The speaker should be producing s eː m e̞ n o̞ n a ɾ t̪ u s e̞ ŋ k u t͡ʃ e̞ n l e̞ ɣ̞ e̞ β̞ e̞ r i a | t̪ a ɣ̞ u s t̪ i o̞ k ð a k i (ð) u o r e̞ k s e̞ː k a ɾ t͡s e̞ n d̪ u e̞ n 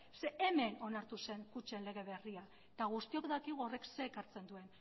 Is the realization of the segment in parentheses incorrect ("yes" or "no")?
yes